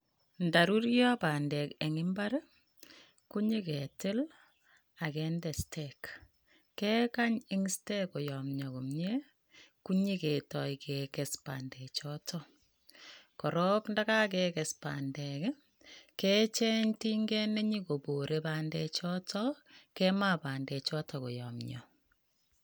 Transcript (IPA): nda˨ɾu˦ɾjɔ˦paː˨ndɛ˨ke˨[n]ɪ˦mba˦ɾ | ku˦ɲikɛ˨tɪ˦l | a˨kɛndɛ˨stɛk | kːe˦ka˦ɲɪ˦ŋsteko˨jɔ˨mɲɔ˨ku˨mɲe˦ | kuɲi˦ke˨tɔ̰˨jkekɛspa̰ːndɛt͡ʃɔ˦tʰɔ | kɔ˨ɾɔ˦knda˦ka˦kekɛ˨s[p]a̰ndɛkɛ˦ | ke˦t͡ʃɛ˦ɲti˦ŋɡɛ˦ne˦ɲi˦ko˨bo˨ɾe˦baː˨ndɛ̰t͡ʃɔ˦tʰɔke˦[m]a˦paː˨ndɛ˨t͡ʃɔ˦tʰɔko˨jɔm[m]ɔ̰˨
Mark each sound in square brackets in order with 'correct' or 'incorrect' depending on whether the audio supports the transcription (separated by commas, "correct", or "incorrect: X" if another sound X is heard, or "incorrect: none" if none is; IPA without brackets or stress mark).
incorrect: ŋ, correct, correct, incorrect: ɲ